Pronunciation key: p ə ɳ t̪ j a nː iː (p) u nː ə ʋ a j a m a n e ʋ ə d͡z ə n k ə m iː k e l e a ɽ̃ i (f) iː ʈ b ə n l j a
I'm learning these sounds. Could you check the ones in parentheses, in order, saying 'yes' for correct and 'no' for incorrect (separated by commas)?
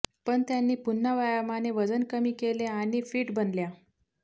yes, yes